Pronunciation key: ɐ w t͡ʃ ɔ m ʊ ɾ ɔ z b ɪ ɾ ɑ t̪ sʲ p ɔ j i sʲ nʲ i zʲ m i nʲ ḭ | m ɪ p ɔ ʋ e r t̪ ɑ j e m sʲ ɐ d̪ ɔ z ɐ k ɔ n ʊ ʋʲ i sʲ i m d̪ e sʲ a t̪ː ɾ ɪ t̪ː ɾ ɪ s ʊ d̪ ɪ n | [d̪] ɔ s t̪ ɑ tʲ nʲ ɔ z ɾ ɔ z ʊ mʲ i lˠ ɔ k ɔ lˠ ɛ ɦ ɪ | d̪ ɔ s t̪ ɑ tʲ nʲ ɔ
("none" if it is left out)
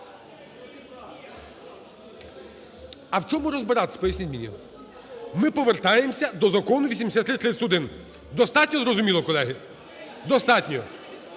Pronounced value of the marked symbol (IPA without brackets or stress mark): d̪